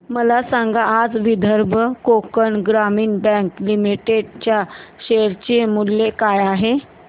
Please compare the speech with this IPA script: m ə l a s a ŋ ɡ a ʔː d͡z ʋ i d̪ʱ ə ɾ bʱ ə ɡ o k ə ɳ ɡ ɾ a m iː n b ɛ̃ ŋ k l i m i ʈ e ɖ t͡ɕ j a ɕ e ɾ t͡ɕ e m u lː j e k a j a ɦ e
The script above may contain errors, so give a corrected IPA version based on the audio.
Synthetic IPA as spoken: m ə l a s a ŋ ɡ a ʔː d͡z ʋ i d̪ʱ ə ɾ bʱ ə k o k ə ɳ ɡ ɾ a m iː n b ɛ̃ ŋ k l i m i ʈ e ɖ t͡ɕ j a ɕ e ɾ t͡ɕ e m u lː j e k a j a ɦ e